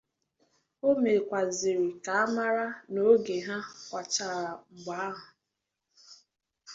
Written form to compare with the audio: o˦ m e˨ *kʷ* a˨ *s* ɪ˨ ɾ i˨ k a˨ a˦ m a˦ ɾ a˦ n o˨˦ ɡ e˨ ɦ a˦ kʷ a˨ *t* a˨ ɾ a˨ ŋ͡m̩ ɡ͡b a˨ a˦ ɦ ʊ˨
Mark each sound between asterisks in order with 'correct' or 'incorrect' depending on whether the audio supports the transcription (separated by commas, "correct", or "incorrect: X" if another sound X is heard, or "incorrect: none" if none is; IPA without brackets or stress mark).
correct, incorrect: z, incorrect: t͡ʃ